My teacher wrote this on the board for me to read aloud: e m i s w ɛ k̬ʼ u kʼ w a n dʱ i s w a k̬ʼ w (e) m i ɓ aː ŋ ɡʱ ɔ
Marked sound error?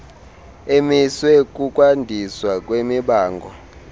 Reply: no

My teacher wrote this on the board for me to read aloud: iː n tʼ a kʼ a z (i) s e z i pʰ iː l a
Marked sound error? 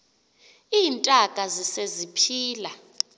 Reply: no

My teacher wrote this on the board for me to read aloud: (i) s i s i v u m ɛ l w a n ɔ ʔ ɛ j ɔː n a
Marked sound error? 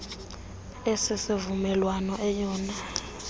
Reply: yes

